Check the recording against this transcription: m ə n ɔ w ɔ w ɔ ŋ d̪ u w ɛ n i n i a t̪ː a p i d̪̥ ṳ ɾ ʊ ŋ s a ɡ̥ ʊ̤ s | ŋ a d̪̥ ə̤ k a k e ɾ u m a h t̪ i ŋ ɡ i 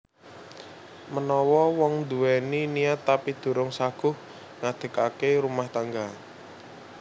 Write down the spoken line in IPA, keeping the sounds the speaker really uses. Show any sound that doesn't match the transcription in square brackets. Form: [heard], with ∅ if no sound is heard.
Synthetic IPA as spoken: m ə n ɔ w ɔ w ɔ ŋ d̪ u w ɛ n i n i a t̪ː a p i d̪̥ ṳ ɾ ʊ ŋ s a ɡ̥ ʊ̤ [h] | ŋ a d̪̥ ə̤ k a k e ɾ u m a h t̪ [a] ŋ ɡ [a]

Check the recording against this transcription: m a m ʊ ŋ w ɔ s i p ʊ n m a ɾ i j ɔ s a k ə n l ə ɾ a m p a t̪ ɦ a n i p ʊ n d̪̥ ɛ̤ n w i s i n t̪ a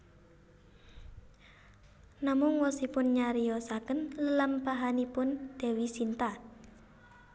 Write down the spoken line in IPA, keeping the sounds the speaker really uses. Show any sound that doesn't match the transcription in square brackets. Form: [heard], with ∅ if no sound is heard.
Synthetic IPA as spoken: [n] a m ʊ ŋ w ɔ s i p ʊ n [ɲ] a ɾ i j ɔ s a k ə n l ə [l] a m p a [∅] ɦ a n i p ʊ n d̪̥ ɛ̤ [∅] w i s i n t̪ a

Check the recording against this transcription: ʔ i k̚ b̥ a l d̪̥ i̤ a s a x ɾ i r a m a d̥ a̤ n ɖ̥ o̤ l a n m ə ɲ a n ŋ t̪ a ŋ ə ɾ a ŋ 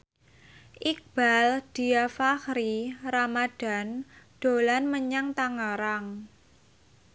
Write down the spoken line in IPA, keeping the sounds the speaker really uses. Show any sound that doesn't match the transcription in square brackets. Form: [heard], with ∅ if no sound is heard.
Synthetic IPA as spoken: ʔ i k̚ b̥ a l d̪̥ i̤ a [f] a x ɾ i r a m a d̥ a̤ n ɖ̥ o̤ l a n m ə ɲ a [∅] ŋ t̪ a ŋ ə ɾ a ŋ

